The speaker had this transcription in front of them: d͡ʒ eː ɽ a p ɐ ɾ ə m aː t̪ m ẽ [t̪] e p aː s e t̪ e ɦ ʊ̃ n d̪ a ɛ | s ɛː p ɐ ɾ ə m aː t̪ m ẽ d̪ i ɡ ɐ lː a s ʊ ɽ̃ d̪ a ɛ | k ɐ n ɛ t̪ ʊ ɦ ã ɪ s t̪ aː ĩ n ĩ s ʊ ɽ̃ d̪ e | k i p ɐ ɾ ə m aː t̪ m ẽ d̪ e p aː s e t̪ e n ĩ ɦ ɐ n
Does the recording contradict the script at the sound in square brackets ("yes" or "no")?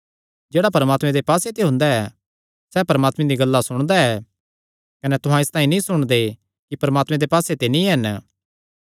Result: yes